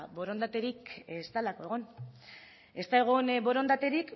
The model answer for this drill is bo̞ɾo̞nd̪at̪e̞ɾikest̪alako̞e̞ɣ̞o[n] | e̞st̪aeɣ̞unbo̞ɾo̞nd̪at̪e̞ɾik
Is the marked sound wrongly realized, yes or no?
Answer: no